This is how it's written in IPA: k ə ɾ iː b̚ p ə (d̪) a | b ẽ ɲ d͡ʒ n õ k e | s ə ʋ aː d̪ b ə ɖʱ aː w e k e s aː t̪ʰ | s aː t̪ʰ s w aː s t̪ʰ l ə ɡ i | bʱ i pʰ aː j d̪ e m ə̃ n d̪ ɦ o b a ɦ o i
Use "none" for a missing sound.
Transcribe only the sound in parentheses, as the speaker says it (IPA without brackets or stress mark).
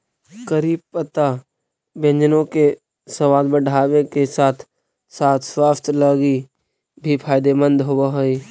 t̪